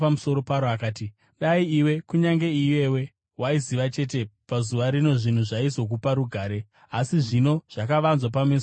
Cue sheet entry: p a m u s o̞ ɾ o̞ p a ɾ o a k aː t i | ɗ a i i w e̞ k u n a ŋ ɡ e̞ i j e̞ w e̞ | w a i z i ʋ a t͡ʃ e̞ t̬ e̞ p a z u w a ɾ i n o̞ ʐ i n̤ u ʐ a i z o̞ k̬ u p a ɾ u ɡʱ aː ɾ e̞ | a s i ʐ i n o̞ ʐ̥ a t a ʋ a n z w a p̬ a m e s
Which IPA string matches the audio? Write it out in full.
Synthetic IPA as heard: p a m u s o̞ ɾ o̞ p a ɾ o a k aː t i | ɗ a i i w e̞ k u ɲ a ŋ ɡ e̞ i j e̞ w e̞ | w a i z i ʋ a t͡ʃ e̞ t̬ e̞ p a z u ʋ a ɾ i n o̞ ʐ i n̤ u ʐ a i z o̞ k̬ u p a ɾ u ɡʱ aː ɾ e̞ | a s i ʐ i n o̞ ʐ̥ a k a ʋ a n z w a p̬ a m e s